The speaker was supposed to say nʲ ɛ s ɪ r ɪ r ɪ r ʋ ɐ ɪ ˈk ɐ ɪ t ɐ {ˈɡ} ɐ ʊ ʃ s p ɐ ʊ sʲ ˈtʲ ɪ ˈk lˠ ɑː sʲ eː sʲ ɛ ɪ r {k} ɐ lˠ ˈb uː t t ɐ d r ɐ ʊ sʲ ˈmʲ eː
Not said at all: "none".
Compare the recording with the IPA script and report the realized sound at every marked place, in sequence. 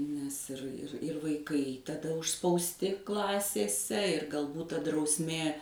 d, ɡ

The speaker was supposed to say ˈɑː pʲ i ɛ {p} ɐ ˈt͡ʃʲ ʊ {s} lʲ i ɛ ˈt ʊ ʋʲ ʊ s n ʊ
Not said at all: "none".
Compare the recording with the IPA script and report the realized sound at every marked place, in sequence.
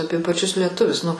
p, s

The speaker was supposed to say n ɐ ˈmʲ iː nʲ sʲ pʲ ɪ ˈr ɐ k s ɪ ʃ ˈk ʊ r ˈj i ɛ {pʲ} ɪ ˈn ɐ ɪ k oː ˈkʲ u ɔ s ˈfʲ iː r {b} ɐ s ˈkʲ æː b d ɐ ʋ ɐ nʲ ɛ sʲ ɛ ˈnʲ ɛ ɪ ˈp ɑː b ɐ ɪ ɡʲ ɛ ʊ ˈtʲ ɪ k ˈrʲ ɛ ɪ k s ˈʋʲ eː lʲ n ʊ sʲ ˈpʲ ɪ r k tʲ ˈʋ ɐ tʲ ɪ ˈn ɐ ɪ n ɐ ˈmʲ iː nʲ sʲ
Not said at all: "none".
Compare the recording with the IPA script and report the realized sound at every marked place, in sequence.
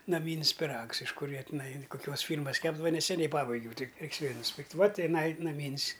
tʲ, m

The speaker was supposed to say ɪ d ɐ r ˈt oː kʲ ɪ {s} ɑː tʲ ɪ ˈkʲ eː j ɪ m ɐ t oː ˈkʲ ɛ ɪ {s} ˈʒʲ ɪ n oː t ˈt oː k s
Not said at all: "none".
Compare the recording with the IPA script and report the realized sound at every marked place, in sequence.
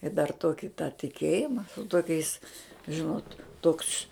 t, s

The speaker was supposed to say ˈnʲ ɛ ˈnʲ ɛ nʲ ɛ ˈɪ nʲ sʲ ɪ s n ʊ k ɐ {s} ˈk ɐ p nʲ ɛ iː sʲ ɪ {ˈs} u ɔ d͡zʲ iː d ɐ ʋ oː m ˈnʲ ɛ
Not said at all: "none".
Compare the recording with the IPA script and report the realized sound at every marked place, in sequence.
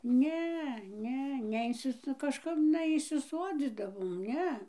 ʃ, s

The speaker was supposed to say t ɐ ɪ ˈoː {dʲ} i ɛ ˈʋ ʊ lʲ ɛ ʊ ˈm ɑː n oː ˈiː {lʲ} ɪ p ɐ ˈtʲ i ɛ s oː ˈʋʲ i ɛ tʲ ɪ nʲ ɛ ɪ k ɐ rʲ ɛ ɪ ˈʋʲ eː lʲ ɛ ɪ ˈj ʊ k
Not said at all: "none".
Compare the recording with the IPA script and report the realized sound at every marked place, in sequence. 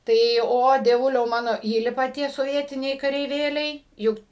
dʲ, lʲ

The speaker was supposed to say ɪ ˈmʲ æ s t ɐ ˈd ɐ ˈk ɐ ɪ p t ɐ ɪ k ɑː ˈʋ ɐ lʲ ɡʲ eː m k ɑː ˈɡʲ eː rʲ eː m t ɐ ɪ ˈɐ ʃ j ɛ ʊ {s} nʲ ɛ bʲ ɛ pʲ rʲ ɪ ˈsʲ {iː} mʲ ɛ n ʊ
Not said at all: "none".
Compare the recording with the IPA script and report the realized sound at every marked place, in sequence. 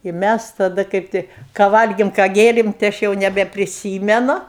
none, iː

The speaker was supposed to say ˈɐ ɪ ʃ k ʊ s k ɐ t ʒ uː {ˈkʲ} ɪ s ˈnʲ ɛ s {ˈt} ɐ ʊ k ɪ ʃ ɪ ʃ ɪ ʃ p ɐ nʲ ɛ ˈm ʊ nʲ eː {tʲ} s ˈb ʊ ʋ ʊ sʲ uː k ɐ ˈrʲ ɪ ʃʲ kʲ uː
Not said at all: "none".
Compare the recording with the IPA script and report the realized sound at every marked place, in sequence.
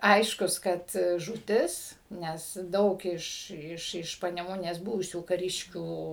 tʲ, d, none

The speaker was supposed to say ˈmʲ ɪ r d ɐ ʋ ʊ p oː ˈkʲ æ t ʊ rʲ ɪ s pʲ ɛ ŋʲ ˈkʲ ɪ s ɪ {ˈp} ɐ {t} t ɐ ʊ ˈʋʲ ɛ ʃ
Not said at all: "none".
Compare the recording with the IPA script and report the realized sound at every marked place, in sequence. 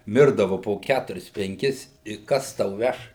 k, s

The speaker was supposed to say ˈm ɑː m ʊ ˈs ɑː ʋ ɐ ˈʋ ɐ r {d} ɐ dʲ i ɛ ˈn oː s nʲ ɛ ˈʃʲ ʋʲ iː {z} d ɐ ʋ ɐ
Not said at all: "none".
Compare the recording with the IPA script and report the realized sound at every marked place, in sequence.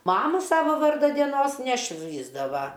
d, z

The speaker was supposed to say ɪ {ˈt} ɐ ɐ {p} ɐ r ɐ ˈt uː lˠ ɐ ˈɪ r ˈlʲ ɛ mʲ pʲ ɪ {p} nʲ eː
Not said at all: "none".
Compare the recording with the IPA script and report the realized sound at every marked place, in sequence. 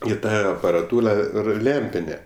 t, p, none

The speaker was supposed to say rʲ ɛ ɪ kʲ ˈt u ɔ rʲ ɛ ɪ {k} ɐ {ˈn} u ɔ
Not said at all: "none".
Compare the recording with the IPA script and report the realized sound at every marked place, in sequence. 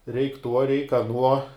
k, n

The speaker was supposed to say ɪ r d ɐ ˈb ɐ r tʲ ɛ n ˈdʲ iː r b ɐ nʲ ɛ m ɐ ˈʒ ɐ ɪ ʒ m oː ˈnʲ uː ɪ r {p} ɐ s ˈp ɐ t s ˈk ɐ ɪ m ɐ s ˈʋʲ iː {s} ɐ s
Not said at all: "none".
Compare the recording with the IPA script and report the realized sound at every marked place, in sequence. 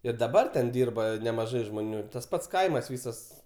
t, s

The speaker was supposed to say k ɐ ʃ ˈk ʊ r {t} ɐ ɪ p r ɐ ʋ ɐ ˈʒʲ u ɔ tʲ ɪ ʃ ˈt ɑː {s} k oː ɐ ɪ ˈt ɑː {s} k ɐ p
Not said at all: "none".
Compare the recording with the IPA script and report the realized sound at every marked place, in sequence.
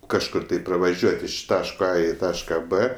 t, ʃ, ʃ

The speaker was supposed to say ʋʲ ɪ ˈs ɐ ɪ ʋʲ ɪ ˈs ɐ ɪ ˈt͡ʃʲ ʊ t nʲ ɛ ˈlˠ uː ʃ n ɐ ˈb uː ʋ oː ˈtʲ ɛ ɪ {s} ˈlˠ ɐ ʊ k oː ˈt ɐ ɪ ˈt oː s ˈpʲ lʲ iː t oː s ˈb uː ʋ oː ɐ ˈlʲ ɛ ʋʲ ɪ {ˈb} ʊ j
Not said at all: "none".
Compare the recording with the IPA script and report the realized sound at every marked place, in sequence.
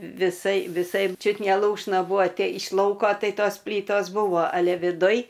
ʃ, d

